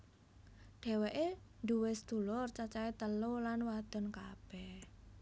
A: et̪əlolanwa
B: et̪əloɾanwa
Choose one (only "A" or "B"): A